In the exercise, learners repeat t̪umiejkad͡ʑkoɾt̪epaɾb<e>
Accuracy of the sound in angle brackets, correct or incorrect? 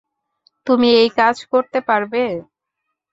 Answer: correct